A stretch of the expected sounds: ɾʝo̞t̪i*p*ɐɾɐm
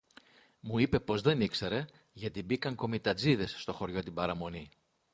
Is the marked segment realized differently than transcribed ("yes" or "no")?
yes